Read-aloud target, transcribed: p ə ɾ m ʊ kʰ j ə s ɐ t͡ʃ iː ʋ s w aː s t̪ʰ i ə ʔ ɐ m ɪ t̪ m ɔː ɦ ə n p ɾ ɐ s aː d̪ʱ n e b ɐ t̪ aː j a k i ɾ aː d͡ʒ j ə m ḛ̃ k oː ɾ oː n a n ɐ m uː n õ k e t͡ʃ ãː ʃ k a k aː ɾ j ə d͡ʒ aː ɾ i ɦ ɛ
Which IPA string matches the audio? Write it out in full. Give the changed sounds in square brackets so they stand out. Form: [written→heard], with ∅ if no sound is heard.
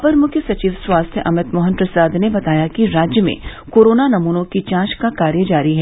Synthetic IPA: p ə ɾ m ʊ kʰ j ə s ɐ t͡ʃ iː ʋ s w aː s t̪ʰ [i→j] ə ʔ ɐ m ɪ t̪ m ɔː ɦ ə n p ɾ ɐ s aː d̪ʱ n e b ɐ t̪ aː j a k i ɾ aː d͡ʒ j ə m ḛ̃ k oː ɾ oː n a n ɐ m uː n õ k [e→i] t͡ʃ ãː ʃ k a k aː ɾ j ə d͡ʒ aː ɾ i ɦ ɛ